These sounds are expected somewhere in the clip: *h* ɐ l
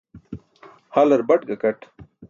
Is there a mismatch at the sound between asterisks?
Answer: no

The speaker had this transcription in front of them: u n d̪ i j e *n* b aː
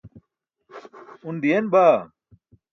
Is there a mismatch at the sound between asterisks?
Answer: no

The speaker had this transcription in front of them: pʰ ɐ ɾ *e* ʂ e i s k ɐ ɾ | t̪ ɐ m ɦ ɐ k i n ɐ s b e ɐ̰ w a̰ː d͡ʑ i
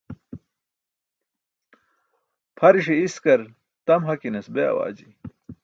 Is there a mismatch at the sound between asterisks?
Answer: yes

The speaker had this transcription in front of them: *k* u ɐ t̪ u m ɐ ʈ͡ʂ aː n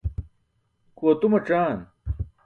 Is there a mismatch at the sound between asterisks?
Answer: no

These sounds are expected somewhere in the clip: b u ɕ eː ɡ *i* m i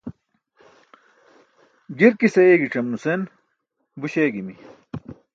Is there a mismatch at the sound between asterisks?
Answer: no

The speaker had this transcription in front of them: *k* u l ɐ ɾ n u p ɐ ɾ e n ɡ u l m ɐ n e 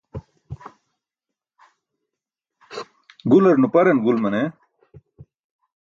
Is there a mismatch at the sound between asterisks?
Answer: yes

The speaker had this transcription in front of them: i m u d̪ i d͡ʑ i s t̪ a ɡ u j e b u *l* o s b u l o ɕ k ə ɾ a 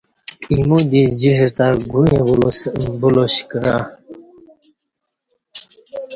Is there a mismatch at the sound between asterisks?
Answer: no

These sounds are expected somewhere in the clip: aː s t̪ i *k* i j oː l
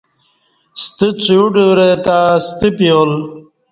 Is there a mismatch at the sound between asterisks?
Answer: yes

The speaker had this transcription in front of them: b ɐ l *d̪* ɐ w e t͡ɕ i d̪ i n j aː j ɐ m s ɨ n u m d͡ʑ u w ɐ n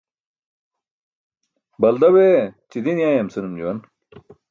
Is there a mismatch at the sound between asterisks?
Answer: no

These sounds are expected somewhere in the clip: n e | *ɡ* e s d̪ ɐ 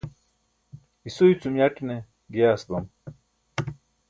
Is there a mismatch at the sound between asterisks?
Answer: no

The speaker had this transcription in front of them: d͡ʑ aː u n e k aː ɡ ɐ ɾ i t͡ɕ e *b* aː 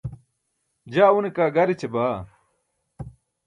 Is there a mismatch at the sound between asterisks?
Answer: no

